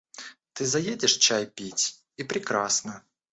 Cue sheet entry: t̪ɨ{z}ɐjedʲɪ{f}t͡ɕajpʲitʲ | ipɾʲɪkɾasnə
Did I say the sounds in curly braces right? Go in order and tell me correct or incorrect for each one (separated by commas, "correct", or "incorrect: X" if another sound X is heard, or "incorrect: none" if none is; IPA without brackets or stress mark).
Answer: correct, incorrect: ʂ